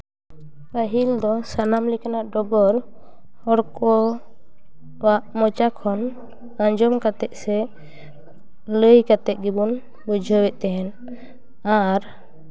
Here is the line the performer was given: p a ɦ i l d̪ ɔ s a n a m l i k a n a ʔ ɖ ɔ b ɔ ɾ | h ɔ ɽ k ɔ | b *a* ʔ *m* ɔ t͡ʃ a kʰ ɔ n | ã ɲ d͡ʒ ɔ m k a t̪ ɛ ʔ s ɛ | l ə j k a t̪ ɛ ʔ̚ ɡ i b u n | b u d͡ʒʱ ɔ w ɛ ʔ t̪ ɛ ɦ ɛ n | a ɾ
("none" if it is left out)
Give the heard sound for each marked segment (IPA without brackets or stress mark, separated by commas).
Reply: a, m